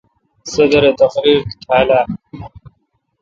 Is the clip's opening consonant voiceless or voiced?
voiceless